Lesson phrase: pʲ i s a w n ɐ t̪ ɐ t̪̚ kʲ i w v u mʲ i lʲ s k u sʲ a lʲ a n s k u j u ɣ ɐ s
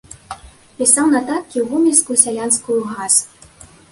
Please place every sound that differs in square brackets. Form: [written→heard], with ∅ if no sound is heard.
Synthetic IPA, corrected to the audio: pʲ i s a w n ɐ t̪ [ɐ→a] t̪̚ kʲ i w [v→ɣ] u mʲ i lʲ s k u sʲ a lʲ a n s k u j u ɣ [ɐ→a] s